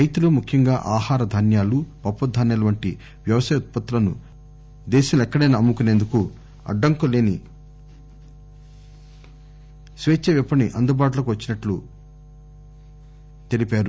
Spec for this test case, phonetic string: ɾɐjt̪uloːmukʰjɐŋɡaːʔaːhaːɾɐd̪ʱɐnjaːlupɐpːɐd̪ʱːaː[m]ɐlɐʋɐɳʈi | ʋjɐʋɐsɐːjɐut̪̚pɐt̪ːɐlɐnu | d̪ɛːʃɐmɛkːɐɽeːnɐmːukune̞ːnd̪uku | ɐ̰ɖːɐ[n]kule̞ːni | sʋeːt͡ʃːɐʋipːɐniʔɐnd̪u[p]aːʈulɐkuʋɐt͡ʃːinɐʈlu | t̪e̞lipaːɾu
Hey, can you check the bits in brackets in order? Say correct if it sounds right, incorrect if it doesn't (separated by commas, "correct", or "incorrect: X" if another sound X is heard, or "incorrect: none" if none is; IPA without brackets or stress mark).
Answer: incorrect: n, incorrect: ŋ, incorrect: b